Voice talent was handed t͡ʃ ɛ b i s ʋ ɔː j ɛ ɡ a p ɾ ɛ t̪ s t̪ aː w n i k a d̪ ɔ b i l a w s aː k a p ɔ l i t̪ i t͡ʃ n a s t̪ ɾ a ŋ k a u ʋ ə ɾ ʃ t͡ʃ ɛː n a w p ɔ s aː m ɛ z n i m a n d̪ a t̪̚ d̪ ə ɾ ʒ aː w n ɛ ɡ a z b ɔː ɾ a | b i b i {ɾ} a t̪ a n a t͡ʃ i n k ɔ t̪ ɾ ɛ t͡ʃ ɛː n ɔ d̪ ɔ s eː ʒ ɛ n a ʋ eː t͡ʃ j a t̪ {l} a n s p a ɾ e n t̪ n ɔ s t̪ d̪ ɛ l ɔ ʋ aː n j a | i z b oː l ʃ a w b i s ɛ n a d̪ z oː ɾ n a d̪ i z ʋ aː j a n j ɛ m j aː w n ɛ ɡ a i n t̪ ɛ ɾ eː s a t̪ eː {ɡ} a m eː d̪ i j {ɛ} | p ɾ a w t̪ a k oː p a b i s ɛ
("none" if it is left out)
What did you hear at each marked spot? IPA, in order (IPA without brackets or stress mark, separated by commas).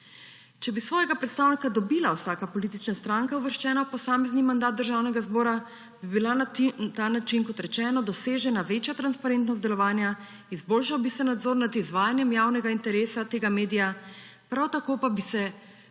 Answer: l, ɾ, ɡ, a